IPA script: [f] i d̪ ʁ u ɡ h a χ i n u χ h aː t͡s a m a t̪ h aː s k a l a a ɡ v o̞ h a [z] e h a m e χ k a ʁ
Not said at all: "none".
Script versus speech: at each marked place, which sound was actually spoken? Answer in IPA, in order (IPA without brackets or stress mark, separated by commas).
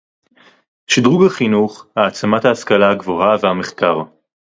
ʃ, v